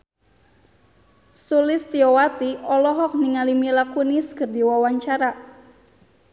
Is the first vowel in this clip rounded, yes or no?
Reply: yes